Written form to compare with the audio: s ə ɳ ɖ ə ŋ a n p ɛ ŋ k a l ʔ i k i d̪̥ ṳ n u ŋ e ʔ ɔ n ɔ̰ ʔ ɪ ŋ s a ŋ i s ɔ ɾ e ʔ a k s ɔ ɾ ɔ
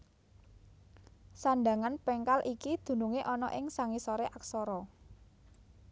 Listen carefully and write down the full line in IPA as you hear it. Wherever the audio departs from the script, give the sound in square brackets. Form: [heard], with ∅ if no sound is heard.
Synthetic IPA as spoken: s [a] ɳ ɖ [a] ŋ a n p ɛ ŋ k a l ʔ i k i d̪̥ ṳ n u ŋ e ʔ ɔ n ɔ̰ ʔ ɪ ŋ s a ŋ i s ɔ ɾ e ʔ a k s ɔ ɾ ɔ